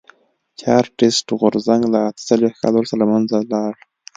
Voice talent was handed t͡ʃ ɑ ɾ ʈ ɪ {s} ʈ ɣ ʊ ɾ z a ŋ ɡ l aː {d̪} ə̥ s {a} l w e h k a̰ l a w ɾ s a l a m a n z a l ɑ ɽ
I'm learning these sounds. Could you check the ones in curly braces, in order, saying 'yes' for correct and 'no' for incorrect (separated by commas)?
yes, no, yes